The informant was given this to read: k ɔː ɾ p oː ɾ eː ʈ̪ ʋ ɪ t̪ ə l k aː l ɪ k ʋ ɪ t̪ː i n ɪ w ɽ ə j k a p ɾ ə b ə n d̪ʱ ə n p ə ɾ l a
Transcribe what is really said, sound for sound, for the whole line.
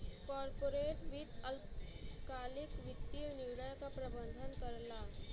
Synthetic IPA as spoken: k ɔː ɾ p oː ɾ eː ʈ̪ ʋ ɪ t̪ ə l k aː l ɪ k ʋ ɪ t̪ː i n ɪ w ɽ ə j k a p ɾ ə b ə n d̪ʱ ə n k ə ɾ l a

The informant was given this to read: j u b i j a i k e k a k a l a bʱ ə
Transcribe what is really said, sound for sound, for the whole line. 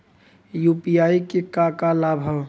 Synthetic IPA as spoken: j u p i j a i k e k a k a l a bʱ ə

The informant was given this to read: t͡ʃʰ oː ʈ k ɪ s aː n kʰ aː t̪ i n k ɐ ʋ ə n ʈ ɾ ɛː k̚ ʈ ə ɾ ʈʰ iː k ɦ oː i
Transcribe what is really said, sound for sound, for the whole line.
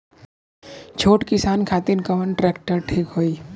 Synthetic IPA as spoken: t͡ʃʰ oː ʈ k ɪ s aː n kʰ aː t̪ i n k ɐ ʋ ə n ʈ ɾ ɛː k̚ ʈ ə ɾ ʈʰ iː k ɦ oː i

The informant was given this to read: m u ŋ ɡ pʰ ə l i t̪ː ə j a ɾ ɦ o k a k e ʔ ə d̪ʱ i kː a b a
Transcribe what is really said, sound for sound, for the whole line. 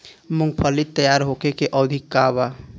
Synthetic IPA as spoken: m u ŋ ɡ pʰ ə l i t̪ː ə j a ɾ ɦ o k e k e ʔ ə d̪ʱ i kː a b a

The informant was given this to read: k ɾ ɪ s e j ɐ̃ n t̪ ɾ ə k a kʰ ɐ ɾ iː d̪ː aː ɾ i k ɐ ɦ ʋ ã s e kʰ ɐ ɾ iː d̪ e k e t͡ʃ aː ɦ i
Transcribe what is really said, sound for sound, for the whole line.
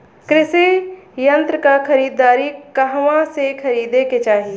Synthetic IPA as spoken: k ɾ ɪ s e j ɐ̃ n t̪ ɾ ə k a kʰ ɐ ɾ iː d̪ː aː ɾ i k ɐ ɦ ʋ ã s e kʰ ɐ ɾ iː d̪ e k e t͡ʃ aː ɦ i

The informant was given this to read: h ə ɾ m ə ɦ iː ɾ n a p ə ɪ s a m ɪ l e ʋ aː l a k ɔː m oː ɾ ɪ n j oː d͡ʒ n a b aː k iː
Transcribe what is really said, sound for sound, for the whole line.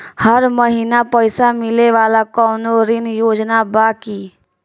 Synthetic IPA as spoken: h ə ɾ m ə ɦ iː n a p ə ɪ s a m ɪ l e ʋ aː l a k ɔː n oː ɾ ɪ n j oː d͡ʒ n a b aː k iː

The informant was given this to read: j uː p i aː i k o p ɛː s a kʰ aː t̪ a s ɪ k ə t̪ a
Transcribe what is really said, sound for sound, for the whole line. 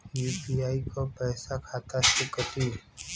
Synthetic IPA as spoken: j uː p i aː i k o p ɛː s a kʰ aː t̪ a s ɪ k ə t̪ i

